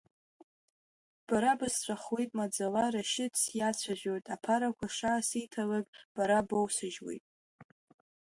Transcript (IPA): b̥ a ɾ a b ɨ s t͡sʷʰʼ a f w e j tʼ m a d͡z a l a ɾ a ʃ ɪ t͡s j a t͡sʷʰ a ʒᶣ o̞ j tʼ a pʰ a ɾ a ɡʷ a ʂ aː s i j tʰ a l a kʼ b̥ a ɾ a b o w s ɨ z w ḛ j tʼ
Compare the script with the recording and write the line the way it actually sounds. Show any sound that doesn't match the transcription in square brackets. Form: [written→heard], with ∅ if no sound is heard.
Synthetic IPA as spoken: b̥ a ɾ a b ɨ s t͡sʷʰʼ a [f→χ] w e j tʼ m a d͡z a l a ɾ a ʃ ɪ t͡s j a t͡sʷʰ a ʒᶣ o̞ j tʼ a pʰ a ɾ a [ɡʷ→kʷ] a ʂ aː s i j tʰ a l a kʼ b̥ a ɾ a b o w s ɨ [z→ʒ] w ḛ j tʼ